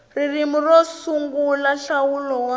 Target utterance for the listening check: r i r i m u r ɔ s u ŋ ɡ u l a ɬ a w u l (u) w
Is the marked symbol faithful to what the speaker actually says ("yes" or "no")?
no